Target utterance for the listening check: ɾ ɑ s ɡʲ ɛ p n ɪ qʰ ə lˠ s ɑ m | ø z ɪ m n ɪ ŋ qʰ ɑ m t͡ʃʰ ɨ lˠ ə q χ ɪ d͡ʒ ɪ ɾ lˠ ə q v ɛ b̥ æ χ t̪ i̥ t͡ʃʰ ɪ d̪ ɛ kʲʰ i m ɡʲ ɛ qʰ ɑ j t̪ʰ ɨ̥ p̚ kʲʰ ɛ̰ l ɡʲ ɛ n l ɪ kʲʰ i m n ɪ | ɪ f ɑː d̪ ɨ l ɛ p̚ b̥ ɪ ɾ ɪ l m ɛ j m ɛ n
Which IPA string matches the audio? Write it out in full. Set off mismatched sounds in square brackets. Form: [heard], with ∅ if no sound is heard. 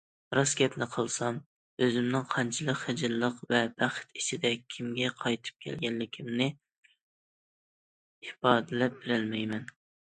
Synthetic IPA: ɾ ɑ s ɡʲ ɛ p n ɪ qʰ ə lˠ s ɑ m | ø z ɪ m n ɪ ŋ qʰ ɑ [n] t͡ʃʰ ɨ lˠ ə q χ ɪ d͡ʒ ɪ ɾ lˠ ə q v ɛ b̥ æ χ t̪ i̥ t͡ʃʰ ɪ d̪ ɛ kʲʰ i m ɡʲ ɛ qʰ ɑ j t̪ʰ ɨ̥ p̚ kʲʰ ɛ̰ l ɡʲ ɛ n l ɪ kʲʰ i m n ɪ | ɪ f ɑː d̪ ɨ l ɛ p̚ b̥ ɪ ɾ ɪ l m ɛ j m ɛ n